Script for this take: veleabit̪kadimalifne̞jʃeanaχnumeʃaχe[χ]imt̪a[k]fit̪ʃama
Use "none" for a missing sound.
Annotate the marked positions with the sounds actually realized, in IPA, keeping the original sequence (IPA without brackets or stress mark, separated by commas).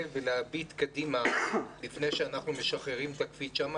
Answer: ʁ, k